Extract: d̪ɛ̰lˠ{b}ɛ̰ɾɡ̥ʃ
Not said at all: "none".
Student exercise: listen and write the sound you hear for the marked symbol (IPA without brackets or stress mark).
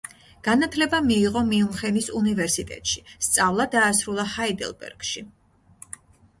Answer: b